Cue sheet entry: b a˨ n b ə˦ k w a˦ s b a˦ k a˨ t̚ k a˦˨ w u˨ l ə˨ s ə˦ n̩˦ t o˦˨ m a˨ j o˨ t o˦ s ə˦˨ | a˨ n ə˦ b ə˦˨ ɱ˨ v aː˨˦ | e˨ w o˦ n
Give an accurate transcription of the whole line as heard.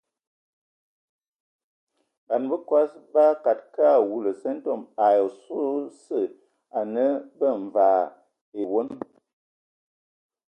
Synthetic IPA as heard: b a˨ n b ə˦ k w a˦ s b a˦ k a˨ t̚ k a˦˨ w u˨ l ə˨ s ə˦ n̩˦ t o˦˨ m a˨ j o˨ s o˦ s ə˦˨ | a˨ n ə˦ b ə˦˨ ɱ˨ v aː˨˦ | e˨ w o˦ n